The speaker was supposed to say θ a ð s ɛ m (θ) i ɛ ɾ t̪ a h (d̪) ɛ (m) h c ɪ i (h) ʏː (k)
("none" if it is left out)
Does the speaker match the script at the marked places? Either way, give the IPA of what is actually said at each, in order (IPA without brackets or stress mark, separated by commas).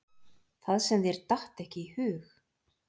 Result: ð, t̪, none, h, x